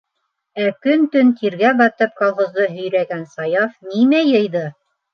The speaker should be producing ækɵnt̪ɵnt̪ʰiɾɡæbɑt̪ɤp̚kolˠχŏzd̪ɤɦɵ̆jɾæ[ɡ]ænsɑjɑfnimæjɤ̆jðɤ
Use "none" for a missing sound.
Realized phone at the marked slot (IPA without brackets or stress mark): ɡ